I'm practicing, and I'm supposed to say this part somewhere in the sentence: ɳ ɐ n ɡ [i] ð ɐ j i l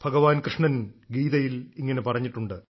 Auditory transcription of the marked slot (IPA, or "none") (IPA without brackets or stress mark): iː